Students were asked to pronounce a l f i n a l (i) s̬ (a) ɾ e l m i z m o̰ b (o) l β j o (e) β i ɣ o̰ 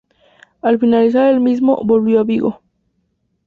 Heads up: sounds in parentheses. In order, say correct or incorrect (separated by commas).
correct, correct, correct, incorrect